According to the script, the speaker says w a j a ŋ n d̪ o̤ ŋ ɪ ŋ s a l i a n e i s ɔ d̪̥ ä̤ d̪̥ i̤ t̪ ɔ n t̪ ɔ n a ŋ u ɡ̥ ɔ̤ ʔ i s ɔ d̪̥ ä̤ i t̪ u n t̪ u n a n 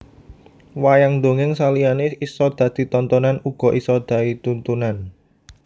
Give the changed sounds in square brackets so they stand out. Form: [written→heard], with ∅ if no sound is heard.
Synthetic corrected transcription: w a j a ŋ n d̪ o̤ ŋ ɪ ŋ s a l i a n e i s ɔ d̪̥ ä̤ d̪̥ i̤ t̪ ɔ n t̪ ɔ n a [ŋ→n] u ɡ̥ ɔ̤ ʔ i s ɔ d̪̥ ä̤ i t̪ u n t̪ u n a n

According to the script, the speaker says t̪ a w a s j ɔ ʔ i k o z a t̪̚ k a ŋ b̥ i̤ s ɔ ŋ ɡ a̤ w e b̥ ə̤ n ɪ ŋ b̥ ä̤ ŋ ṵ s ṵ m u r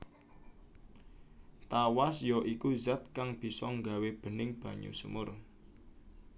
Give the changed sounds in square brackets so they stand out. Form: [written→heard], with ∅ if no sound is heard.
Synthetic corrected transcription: t̪ a w a s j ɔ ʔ i k [o→u] z a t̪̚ k a ŋ b̥ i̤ s ɔ ŋ ɡ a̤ w e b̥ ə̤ n ɪ ŋ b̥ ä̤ [ŋ→ɲ] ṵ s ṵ m [u→ʊ] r

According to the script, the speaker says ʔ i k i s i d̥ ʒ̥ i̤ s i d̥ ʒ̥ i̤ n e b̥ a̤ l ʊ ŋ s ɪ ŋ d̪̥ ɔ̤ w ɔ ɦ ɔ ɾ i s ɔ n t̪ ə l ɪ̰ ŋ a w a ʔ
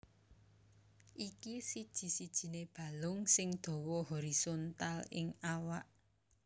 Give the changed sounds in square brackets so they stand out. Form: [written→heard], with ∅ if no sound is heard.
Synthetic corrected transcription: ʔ i k i s i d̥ ʒ̥ i̤ s i d̥ ʒ̥ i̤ n e b̥ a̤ l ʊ ŋ s ɪ ŋ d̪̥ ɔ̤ w ɔ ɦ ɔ ɾ i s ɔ n t̪ [ə→a] l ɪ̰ ŋ a w a ʔ

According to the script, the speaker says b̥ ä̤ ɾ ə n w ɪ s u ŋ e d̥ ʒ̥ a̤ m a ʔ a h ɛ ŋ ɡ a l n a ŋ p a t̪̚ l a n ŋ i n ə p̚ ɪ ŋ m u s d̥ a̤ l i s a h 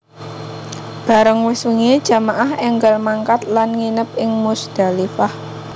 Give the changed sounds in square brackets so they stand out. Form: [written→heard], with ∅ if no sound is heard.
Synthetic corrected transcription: b̥ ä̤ ɾ ə [n→ŋ] w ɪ s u ŋ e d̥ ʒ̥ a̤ m a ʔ a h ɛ ŋ ɡ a l [n→m] a ŋ [p→k] a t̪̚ l a n ŋ i n ə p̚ ɪ ŋ m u s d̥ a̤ l i [s→f] a h

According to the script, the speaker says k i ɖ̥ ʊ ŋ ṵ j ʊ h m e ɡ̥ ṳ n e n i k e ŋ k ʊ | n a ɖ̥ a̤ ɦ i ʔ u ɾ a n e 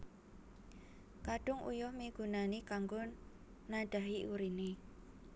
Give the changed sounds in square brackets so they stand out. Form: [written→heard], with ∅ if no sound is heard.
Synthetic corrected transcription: k [i→a] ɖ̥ ʊ ŋ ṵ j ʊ h m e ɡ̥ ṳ n [e→a] n i k [e→a] ŋ [k→ɡ] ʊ | n a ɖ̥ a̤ ɦ i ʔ u ɾ [a→i] n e

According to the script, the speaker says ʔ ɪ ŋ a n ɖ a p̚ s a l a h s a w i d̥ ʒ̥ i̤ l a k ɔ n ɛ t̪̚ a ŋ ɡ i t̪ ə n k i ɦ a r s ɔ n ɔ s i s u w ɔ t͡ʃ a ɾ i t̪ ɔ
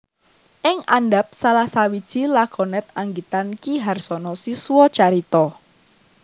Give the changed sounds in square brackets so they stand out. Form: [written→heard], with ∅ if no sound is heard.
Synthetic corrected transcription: ʔ ɪ ŋ a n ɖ a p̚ s a l a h s a w i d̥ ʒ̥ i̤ l a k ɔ n ɛ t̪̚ a ŋ ɡ i t̪ [ə→a] n k i ɦ a r s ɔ n ɔ s i s u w ɔ t͡ʃ a ɾ i t̪ ɔ

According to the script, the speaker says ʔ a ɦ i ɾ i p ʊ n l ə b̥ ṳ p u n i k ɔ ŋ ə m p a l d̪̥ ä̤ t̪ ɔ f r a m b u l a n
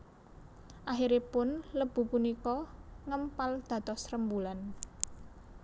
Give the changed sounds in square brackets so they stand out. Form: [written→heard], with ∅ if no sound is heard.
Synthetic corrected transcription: ʔ a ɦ i ɾ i p ʊ n l ə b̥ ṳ p u n i k ɔ ŋ ə m p a l d̪̥ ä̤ t̪ ɔ [f→s] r [a→ə] m b u l a n

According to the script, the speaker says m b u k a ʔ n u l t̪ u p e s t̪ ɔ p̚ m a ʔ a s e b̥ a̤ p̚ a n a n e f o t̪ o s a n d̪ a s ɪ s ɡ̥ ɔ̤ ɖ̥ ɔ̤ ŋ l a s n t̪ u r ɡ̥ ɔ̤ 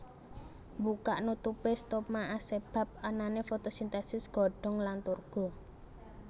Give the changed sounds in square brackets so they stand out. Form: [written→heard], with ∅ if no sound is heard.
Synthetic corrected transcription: m b u k a ʔ n u [l→∅] t̪ u p e s t̪ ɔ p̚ m a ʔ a s e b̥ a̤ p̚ a n a n e f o t̪ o s [a→i] n [d̪→t̪] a s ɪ s ɡ̥ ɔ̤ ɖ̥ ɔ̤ ŋ l a [s→∅] n t̪ u r ɡ̥ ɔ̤

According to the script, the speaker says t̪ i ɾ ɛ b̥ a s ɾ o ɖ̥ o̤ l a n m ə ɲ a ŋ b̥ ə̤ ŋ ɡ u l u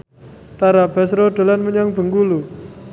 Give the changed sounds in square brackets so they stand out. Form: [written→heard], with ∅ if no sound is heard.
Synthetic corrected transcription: t̪ [i→a] ɾ [ɛ→a] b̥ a s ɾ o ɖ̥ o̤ l a n m ə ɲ a ŋ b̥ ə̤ ŋ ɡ u l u

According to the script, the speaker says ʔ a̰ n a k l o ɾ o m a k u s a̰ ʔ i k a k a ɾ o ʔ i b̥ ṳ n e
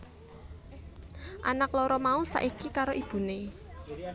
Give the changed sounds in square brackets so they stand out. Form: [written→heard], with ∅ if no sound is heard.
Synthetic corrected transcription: ʔ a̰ n a k l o ɾ [o→ɔ] m a [k→∅] u s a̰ ʔ i k [a→i] k a ɾ o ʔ i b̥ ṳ n e

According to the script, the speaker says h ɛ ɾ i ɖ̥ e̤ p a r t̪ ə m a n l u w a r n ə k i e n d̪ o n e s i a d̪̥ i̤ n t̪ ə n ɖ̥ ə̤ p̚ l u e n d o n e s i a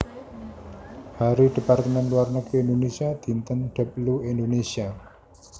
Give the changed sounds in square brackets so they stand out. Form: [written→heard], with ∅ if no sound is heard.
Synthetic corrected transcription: h [ɛ→a] ɾ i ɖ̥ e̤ p a r t̪ ə m [a→ɛ] n l u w a r n ə k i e n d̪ o n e s i a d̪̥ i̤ n t̪ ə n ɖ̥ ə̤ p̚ l u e n d o n e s i a

